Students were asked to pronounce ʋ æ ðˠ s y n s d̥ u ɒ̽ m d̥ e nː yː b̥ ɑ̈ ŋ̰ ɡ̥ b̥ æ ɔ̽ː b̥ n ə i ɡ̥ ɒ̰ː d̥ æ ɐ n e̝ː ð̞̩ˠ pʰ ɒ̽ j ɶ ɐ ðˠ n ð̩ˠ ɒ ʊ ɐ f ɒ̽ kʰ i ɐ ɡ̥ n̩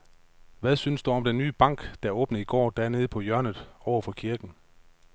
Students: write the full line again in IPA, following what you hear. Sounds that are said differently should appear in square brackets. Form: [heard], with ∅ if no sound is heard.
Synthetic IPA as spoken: ʋ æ ðˠ s y n s d̥ u ɒ̽ m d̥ e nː yː b̥ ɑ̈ ŋ̰ ɡ̥ [d̥] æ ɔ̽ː b̥ n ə i ɡ̥ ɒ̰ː d̥ æ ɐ n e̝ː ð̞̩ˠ pʰ ɒ̽ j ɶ ɐ [∅] n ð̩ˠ ɒ ʊ ɐ f ɒ̽ kʰ i ɐ ɡ̥ n̩